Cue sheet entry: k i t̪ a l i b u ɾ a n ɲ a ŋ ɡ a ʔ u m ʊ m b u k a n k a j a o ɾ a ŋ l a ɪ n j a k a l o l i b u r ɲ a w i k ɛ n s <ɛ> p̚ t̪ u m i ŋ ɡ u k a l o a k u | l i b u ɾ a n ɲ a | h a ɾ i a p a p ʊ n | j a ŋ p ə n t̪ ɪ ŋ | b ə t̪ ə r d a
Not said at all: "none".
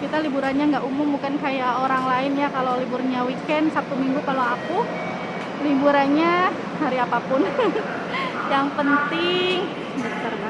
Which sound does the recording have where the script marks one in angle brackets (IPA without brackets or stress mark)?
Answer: a